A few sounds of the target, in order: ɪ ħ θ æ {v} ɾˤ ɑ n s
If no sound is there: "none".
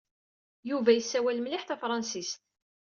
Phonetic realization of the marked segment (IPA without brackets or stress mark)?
f